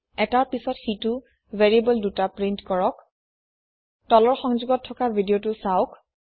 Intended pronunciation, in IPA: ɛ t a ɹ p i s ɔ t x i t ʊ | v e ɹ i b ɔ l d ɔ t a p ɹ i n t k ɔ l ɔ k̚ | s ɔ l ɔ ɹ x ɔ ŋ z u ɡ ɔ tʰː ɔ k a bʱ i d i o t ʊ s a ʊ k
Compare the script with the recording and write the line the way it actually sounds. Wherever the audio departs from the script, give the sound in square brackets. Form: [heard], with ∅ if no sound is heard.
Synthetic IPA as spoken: ɛ t a ɹ p i s ɔ t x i t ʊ | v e ɹ i b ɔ l d [u] t a p ɹ i n t k ɔ [ɹ] ɔ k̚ | [t] ɔ l ɔ ɹ x ɔ ŋ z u ɡ ɔ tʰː ɔ k a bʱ i d i o t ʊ s a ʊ k

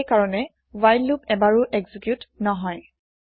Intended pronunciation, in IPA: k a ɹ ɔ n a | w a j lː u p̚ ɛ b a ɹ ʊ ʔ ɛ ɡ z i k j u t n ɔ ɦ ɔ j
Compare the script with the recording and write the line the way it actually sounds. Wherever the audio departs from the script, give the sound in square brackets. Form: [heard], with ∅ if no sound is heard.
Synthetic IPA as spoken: k a ɹ ɔ n [ɛ] | w a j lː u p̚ ɛ b a ɹ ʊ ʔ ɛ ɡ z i k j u t n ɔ ɦ ɔ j

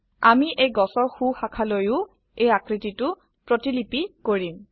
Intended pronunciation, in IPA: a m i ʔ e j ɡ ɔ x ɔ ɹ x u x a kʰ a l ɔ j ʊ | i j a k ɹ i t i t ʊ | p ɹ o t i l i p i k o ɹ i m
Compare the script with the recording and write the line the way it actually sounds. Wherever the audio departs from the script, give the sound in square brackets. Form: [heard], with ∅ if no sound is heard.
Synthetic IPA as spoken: a m i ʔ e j ɡ ɔ [s] ɔ ɹ x u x a kʰ a l [o] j ʊ | [e] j a k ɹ i t i t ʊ | p ɹ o t i l i p i k o ɹ i m

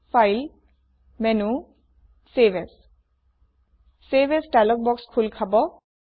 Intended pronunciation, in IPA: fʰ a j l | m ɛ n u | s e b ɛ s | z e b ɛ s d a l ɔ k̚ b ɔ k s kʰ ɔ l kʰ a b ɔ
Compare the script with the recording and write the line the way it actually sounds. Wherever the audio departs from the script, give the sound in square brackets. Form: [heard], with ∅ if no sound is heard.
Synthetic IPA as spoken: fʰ a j l | m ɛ n u | s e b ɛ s | [s] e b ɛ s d a l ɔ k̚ b ɔ k s kʰ [u] l kʰ a b ɔ

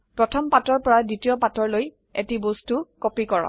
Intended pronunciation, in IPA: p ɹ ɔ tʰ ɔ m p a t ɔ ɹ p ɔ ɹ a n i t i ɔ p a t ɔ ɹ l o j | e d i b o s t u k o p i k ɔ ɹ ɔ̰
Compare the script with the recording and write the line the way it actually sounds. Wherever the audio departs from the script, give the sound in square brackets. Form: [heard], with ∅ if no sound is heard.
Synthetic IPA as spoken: p ɹ ɔ tʰ ɔ m p a t ɔ ɹ p ɔ ɹ a [d] i t i ɔ p a t ɔ ɹ l o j | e [t] i b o s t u k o p i k ɔ ɹ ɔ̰

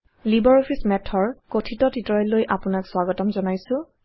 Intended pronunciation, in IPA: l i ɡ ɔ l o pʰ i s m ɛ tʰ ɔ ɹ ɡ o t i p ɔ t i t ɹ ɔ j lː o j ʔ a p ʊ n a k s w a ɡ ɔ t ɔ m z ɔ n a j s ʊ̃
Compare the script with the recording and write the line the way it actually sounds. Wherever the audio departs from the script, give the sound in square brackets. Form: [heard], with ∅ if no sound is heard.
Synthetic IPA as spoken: l i [b] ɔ [ɹ] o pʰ i s m ɛ tʰ ɔ ɹ [k] o [tʰ] i [t] ɔ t i t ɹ ɔ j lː o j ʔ a p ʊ n a k s w a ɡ ɔ t ɔ m z ɔ n a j s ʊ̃

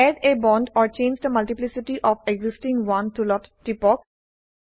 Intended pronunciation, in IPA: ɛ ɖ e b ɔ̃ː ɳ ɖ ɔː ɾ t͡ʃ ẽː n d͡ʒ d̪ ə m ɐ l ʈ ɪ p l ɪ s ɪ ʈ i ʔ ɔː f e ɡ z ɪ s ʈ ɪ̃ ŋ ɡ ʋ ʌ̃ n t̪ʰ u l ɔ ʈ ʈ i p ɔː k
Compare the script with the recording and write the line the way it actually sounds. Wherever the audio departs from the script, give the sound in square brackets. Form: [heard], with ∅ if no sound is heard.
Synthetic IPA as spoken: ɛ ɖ e b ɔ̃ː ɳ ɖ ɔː ɾ t͡ʃ ẽː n d͡ʒ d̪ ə m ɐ l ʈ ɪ p l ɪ s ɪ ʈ i ʔ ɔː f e ɡ z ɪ s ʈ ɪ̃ ŋ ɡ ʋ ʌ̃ n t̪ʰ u l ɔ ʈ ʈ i p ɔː k

